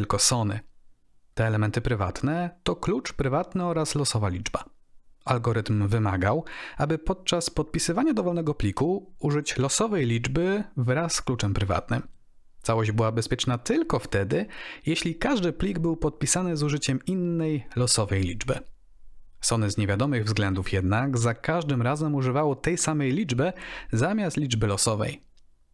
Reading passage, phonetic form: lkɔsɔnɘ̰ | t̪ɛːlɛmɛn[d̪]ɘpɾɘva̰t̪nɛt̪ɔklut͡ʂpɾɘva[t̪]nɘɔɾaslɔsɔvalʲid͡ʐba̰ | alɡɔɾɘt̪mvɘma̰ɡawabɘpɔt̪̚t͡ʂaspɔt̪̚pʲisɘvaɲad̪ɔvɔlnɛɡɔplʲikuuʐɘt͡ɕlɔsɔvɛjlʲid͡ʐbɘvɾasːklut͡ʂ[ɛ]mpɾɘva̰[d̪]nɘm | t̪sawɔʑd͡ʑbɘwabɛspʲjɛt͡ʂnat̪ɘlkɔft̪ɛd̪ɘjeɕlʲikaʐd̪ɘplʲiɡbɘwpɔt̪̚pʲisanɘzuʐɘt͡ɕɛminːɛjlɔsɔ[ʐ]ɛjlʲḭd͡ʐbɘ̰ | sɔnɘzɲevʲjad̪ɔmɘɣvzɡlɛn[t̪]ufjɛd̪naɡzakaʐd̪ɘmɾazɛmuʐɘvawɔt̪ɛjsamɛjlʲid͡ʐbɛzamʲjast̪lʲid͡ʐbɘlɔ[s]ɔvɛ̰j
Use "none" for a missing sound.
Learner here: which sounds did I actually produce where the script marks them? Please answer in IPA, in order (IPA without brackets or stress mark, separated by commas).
t̪, t̪, ɛ, t̪, v, d̪, s